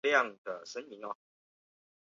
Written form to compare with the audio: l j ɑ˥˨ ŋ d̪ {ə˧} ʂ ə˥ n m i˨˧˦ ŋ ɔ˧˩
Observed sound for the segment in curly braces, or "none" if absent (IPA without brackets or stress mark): ə˩